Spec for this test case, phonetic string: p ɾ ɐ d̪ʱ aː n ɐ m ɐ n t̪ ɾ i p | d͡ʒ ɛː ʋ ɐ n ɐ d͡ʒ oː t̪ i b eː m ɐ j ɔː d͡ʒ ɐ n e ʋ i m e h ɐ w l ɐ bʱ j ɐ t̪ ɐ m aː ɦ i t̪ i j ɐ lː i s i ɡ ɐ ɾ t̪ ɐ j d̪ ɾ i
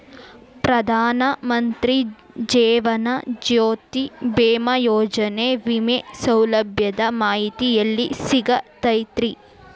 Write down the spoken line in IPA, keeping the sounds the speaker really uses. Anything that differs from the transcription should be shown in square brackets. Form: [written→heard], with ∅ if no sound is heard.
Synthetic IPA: p ɾ ɐ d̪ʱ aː n ɐ m ɐ n t̪ ɾ i [p→∅] | d͡ʒ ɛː ʋ ɐ n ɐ d͡ʒ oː t̪ i b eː m ɐ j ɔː d͡ʒ ɐ n e ʋ i m e [h→s] ɐ w l ɐ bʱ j ɐ [t̪→d̪] ɐ m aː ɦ i t̪ i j ɐ lː i s i ɡ ɐ [ɾ→∅] t̪ ɐ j [d̪→t̪] ɾ i

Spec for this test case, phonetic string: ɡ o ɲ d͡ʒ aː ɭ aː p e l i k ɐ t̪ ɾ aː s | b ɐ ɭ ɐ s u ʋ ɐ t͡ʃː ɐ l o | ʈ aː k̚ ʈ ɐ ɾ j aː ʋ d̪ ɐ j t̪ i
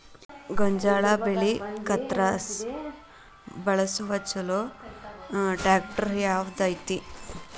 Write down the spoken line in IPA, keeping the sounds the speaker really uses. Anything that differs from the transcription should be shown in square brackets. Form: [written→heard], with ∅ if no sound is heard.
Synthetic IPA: ɡ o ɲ d͡ʒ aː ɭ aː [p→b] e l i k ɐ t̪ ɾ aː s | b ɐ ɭ ɐ s u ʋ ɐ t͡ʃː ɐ l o | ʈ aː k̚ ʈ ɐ ɾ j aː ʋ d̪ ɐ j t̪ i

